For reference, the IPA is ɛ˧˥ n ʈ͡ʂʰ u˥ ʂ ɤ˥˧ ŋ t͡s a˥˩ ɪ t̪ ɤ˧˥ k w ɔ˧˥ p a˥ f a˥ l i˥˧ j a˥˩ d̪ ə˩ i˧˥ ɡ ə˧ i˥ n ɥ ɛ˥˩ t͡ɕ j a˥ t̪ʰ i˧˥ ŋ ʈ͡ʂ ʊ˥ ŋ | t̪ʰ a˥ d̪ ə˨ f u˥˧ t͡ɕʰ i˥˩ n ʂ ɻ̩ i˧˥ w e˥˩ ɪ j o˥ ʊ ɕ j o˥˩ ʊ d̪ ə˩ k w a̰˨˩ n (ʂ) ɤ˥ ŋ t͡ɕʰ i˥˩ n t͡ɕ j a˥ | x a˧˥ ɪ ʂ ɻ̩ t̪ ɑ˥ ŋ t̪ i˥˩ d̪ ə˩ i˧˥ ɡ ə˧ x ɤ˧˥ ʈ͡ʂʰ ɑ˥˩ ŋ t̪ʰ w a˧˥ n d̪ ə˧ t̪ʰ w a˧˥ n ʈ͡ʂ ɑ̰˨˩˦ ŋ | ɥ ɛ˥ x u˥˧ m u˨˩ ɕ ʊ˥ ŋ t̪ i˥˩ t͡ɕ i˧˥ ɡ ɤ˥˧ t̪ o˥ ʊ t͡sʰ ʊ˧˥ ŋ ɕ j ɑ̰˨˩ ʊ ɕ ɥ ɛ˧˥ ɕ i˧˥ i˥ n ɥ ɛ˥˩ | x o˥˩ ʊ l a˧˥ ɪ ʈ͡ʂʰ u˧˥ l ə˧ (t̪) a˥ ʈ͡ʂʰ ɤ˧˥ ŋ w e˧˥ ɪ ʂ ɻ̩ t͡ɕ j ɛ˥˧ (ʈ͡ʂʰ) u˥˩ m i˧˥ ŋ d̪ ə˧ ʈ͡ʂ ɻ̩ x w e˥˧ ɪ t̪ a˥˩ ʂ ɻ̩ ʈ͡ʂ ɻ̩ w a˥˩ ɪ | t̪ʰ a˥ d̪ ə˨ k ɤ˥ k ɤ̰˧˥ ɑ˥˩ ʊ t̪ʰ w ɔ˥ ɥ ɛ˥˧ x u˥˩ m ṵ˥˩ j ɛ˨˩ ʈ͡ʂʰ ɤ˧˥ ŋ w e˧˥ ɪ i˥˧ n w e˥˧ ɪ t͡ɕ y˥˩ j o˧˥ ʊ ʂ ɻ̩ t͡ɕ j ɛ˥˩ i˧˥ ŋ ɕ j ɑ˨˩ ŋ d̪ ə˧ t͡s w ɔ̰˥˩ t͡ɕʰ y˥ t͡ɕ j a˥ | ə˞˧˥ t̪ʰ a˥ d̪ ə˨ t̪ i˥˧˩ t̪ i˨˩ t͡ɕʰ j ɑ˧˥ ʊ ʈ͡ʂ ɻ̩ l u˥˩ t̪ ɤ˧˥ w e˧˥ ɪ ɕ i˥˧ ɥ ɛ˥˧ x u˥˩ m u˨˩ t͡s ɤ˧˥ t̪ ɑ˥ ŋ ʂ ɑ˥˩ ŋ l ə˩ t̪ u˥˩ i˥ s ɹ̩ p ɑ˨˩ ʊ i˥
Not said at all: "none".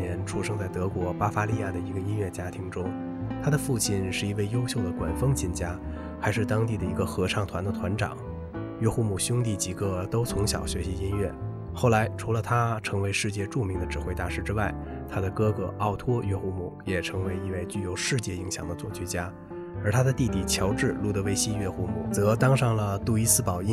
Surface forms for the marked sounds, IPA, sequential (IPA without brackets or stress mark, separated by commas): f, t̪ʰ, ʈ͡ʂ